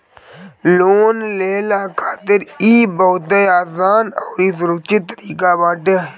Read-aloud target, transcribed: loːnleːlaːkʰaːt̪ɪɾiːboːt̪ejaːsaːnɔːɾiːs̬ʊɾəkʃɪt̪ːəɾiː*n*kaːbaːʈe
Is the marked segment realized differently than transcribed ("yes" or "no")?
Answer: yes